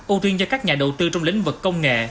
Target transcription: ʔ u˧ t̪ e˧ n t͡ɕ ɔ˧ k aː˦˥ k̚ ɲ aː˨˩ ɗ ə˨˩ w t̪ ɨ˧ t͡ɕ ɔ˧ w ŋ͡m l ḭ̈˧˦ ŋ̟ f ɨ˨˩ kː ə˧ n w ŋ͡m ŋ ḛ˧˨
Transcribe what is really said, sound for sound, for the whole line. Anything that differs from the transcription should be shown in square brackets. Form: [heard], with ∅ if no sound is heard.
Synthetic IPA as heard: ʔ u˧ t̪ [i˧] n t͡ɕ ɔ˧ k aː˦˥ k̚ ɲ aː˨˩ ɗ ə˨˩ w t̪ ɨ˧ t͡ɕ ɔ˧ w ŋ͡m l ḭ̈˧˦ ŋ̟ [v] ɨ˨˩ kː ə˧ [∅] w ŋ͡m ŋ ḛ˧˨